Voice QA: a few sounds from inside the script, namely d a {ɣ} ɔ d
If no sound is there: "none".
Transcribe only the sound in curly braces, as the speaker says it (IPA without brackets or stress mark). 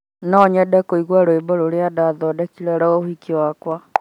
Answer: ð